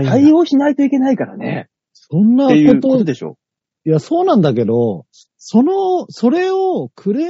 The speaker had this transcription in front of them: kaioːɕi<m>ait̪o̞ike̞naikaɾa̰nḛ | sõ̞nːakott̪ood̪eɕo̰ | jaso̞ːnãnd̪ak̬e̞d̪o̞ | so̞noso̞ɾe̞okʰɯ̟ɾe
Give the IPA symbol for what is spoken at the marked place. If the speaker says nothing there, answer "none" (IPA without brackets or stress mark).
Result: n